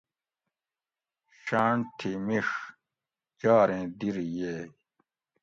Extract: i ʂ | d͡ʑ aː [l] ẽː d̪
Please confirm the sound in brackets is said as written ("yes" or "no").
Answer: no